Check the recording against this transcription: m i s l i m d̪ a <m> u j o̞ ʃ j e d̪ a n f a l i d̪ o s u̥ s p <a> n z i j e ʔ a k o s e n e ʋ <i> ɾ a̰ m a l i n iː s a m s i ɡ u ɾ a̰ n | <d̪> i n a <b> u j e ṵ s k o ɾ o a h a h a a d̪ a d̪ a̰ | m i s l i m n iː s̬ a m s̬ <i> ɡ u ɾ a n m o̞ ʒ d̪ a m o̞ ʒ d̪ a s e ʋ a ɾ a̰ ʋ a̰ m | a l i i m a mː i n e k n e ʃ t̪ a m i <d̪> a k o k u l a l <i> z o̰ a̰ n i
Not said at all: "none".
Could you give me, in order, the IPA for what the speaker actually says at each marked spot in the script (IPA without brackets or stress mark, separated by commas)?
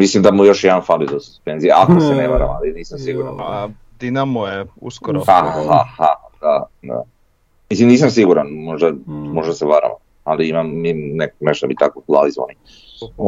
m, e, a, d̪, m, i, t̪, i